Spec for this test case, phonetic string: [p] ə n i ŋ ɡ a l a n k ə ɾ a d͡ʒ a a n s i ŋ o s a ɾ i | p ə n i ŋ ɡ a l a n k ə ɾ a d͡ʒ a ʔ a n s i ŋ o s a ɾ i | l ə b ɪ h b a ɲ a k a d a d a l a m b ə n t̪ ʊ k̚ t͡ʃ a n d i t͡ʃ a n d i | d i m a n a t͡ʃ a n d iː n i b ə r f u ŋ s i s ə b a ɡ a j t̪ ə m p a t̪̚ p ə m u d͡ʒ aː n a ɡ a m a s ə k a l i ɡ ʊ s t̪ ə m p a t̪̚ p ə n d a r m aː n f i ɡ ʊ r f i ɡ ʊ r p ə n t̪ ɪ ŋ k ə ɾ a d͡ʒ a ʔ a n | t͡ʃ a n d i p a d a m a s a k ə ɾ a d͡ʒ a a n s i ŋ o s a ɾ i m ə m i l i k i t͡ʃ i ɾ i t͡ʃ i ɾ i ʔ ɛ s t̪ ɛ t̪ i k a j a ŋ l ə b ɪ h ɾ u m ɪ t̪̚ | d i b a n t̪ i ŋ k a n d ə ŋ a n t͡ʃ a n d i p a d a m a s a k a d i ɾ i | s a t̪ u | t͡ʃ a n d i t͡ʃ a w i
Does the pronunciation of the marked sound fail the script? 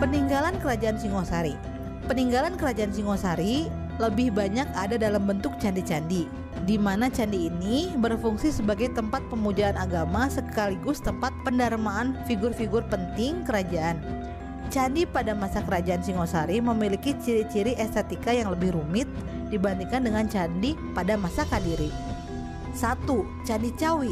no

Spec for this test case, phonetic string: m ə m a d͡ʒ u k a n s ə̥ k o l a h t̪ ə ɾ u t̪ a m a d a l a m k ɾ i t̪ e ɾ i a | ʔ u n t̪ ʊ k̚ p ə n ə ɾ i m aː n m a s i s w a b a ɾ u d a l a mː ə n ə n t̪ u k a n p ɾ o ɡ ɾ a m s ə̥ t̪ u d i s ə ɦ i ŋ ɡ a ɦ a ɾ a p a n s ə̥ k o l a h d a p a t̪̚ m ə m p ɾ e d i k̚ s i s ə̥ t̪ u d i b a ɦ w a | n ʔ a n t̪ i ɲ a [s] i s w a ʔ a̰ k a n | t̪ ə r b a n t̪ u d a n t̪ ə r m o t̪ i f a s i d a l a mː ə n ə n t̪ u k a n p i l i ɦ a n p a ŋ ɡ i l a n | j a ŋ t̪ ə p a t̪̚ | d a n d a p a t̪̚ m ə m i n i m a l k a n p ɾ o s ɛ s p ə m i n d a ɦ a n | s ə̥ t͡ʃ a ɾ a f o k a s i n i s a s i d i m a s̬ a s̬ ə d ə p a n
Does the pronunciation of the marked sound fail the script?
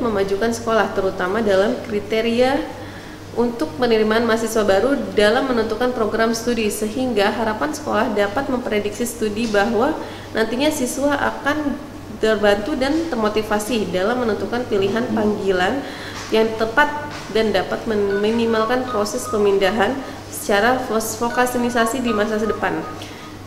no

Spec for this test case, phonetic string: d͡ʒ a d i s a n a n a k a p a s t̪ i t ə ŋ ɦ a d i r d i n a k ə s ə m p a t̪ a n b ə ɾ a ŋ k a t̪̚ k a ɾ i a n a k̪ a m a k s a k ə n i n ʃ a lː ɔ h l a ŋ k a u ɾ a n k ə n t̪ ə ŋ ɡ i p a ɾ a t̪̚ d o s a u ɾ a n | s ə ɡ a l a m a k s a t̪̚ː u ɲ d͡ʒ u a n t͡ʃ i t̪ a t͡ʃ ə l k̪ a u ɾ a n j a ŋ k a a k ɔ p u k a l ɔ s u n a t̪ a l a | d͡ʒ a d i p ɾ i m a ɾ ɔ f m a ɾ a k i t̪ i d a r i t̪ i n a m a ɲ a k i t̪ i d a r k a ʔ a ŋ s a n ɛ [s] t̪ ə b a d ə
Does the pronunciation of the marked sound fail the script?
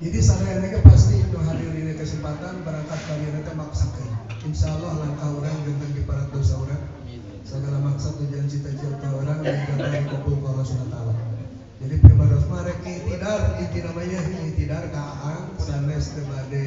no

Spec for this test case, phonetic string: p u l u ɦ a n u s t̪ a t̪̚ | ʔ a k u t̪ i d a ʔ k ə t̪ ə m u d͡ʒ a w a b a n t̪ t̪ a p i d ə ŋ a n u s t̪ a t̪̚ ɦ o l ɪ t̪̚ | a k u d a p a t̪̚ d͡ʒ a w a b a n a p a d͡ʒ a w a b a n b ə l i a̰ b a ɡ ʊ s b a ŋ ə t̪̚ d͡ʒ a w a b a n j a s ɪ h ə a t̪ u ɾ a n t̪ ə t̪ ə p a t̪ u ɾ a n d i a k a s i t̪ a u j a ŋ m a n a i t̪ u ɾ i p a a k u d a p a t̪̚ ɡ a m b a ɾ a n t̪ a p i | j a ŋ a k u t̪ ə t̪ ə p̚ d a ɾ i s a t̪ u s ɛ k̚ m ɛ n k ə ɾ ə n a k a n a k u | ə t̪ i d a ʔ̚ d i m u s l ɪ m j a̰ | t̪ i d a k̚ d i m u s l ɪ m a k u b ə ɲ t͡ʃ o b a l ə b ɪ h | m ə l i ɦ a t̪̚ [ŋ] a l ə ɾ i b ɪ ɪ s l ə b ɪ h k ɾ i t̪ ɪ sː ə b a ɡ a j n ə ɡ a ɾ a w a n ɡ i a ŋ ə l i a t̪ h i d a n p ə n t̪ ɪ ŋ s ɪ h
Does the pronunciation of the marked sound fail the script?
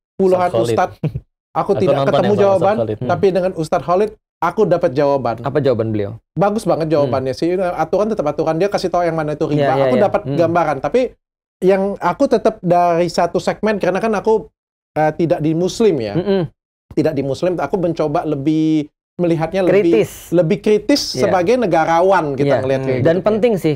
yes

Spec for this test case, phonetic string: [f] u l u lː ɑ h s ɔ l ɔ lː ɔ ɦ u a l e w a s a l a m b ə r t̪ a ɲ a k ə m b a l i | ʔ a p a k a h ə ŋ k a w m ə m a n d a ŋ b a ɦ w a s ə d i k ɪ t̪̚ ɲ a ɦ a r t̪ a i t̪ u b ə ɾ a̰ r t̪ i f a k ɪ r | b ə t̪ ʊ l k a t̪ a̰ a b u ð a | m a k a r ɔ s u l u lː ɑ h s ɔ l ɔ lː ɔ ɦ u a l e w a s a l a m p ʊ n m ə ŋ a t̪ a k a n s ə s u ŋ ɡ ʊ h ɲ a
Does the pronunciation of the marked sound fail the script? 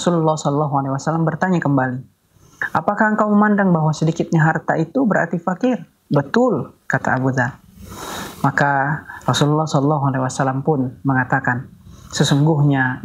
yes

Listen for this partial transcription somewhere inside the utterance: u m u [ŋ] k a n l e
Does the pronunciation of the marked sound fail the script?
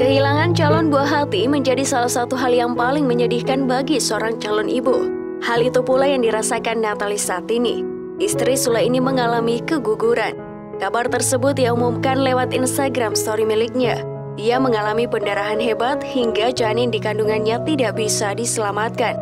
yes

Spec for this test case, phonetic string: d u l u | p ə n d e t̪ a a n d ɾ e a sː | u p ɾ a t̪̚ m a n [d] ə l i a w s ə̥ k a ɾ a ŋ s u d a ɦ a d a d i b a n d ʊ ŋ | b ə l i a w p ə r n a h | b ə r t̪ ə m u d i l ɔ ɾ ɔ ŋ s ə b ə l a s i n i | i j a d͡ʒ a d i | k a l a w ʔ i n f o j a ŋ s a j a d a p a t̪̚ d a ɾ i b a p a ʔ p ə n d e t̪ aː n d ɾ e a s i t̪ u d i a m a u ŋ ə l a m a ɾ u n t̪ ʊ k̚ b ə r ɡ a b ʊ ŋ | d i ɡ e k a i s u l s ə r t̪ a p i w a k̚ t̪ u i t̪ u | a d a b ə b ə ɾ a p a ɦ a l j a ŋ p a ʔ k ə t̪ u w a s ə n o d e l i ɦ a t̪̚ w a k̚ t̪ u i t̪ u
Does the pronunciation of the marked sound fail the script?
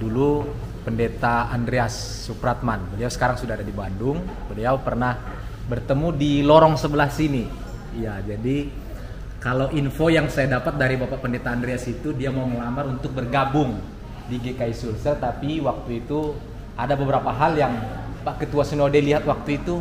yes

